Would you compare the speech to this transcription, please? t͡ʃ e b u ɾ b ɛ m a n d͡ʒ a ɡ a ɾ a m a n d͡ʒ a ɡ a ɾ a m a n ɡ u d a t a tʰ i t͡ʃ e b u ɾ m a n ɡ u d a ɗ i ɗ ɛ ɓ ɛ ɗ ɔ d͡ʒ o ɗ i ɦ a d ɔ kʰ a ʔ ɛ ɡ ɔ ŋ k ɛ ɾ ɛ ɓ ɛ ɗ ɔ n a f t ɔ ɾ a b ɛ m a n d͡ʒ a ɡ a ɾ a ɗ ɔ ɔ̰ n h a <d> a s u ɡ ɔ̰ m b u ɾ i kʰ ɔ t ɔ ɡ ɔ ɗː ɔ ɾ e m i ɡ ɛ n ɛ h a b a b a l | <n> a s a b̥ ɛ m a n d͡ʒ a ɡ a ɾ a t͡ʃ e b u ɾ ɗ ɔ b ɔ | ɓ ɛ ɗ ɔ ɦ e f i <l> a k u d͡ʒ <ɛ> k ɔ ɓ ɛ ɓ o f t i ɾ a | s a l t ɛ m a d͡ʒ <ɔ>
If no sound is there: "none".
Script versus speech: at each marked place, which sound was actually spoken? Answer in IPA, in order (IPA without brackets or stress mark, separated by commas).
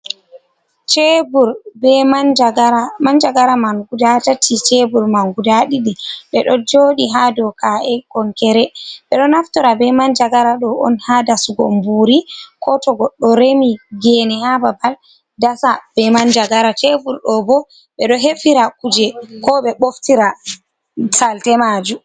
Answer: d, d, ɾ, ɛ, u